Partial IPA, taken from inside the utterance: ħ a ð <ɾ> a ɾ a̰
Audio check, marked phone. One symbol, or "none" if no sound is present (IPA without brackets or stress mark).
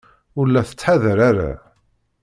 ɾ